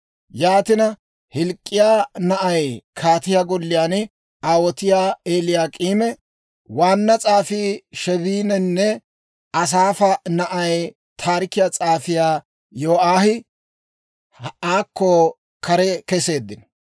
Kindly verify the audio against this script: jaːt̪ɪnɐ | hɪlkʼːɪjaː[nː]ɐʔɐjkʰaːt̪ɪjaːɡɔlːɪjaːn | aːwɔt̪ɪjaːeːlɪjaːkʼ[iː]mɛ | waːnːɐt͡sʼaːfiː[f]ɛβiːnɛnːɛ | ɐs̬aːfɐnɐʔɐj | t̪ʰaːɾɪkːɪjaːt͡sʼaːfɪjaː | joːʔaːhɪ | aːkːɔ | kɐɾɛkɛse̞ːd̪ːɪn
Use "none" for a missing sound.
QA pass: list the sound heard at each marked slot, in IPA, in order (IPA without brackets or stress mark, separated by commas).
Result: n, iː, ʃ